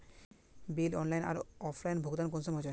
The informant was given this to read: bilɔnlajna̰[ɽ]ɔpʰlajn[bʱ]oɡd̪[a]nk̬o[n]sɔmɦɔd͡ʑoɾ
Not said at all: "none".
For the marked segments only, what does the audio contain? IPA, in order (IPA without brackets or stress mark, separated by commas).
ɾ, bʱ, a, n